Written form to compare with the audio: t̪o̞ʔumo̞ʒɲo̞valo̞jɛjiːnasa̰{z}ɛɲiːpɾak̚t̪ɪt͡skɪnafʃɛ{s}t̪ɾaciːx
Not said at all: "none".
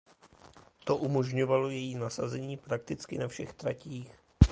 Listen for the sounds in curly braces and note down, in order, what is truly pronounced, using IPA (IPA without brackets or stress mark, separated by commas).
z, x